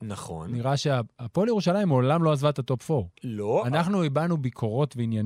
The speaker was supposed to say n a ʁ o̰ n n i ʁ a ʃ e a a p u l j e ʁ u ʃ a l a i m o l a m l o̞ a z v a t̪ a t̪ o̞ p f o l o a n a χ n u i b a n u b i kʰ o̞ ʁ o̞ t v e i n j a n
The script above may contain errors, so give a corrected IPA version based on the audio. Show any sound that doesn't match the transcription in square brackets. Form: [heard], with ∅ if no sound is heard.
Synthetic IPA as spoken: n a [χ] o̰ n n i ʁ a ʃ e a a p [o] l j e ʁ u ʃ a l a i m o l a m l o̞ a z v a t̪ a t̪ o̞ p f o l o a n a χ n u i b a n u b i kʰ o̞ ʁ o̞ t v e i n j a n